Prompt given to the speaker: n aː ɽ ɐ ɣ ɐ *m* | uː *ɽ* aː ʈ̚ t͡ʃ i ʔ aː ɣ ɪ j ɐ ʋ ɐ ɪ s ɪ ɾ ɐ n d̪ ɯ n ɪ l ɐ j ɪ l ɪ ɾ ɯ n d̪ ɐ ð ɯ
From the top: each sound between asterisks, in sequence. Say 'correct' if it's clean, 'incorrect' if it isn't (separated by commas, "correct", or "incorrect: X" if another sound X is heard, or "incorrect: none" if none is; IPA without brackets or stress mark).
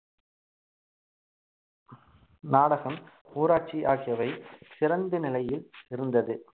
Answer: correct, incorrect: ɾ